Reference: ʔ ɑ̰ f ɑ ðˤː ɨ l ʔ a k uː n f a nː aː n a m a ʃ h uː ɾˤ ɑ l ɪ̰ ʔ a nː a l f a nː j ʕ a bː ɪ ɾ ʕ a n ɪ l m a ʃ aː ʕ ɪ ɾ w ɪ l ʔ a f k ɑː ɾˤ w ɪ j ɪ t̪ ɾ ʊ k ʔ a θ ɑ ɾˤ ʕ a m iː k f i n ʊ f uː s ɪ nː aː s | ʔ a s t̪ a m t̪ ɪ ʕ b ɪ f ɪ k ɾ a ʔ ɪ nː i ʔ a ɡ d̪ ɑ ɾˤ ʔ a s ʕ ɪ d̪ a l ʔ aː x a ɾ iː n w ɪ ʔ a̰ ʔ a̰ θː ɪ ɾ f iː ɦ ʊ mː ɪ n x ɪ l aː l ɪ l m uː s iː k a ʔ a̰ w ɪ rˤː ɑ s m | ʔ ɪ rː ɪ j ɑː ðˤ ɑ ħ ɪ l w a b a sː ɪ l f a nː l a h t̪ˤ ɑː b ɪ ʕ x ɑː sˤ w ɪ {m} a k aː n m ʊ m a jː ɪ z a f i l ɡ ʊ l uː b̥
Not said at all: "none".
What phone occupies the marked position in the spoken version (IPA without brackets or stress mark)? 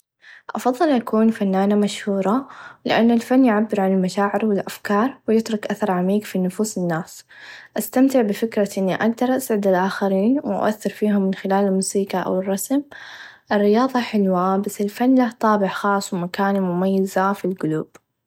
m